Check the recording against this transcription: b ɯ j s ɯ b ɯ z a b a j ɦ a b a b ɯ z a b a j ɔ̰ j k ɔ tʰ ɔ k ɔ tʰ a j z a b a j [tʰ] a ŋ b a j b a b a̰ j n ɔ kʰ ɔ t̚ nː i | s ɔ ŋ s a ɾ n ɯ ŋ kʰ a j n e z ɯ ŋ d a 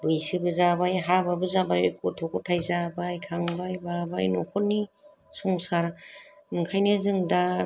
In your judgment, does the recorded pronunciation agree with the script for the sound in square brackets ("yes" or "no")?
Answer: no